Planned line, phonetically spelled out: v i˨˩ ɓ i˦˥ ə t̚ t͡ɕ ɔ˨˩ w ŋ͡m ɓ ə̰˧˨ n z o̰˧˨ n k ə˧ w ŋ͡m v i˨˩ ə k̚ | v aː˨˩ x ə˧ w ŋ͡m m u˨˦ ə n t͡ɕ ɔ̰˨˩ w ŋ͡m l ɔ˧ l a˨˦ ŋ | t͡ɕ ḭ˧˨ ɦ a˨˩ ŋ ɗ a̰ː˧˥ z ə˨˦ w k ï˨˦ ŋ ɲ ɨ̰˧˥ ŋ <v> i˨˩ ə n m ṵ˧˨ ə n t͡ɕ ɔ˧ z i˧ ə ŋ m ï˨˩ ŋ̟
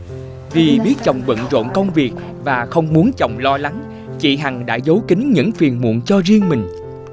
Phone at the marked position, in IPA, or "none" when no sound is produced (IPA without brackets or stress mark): f